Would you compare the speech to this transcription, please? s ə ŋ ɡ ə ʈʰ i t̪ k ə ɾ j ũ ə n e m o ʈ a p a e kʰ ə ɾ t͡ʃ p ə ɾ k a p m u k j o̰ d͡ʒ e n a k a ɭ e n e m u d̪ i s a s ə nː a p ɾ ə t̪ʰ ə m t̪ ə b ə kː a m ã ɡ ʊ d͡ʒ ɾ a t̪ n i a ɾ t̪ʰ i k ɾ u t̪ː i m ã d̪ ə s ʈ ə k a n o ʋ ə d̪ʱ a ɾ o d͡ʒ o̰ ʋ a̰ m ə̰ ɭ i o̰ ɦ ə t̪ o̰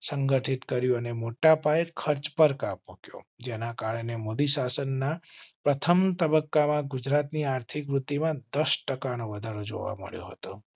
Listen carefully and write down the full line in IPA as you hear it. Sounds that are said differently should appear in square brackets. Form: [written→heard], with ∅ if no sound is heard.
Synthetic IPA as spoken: s ə ŋ ɡ ə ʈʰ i t̪ k ə ɾ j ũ ə n e m o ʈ a p a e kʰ ə ɾ t͡ʃ p ə ɾ k a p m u k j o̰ d͡ʒ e n a k a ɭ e n e m [u→o] d̪ i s a s ə nː a p ɾ ə t̪ʰ ə m t̪ ə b ə kː a m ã ɡ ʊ d͡ʒ ɾ a t̪ n i a ɾ t̪ʰ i k ɾ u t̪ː i m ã d̪ ə s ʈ ə k a n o ʋ ə d̪ʱ a ɾ o d͡ʒ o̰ ʋ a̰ m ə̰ ɭ [i→j] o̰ ɦ ə t̪ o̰